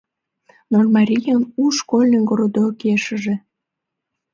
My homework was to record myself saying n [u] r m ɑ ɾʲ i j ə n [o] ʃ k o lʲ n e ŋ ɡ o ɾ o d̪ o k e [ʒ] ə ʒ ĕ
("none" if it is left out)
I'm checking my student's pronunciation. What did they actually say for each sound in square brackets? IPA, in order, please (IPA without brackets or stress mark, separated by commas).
o, u, ʃ